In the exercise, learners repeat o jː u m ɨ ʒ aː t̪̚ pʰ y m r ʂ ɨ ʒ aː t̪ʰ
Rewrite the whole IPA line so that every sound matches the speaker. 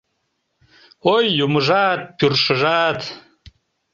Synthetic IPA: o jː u m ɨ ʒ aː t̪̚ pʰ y r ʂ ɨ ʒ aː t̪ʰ